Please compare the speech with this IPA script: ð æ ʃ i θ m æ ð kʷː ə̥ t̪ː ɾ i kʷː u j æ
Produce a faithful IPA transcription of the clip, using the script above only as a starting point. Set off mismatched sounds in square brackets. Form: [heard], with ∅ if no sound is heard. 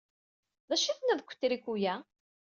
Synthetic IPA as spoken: ð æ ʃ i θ [n] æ ð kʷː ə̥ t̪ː ɾ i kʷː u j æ